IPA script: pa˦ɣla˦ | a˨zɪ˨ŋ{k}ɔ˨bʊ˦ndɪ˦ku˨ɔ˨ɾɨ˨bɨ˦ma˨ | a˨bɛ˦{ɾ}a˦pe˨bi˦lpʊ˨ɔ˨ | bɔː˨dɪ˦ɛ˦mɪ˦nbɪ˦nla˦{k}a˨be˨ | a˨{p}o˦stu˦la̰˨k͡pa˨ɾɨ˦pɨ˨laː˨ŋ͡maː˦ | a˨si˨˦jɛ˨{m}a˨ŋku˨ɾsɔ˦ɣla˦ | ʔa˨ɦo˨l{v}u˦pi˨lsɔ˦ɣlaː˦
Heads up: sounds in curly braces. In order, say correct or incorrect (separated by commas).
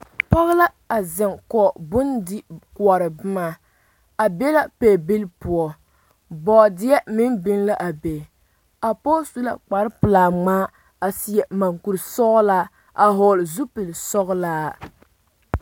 correct, incorrect, incorrect, correct, correct, incorrect